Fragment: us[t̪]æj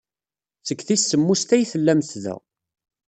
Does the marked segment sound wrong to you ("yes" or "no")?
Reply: no